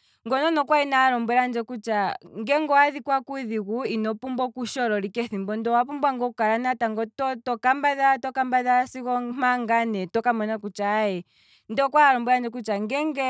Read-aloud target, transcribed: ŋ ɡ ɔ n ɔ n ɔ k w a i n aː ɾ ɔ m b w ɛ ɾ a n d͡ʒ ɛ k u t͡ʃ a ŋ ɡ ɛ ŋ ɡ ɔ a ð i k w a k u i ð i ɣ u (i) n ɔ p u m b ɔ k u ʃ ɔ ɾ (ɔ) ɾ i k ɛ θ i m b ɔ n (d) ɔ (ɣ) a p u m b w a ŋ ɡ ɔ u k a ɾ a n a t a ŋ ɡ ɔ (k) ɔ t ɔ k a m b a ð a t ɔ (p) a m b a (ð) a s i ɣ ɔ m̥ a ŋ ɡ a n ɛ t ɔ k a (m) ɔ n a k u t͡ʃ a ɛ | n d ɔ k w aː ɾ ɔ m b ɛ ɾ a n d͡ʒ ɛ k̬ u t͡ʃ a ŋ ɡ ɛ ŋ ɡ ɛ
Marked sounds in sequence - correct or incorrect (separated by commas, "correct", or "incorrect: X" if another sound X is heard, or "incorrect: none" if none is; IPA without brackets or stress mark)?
correct, correct, correct, incorrect: w, incorrect: t, incorrect: k, correct, correct